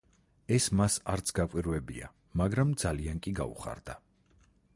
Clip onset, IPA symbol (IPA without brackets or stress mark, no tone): ɛ